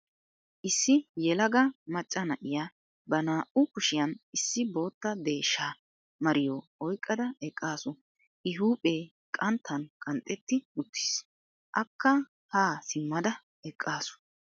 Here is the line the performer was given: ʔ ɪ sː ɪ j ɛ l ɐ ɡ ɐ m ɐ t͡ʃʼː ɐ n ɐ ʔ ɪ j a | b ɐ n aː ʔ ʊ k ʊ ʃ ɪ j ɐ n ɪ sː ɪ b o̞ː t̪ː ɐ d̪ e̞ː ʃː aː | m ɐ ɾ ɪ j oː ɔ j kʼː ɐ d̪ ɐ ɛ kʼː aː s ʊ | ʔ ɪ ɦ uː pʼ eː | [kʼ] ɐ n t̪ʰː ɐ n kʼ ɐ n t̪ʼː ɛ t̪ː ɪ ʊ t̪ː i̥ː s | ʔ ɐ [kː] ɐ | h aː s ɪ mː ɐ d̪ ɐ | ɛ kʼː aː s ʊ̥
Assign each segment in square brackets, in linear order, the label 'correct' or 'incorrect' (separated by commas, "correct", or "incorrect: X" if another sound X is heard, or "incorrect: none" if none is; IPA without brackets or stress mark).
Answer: correct, correct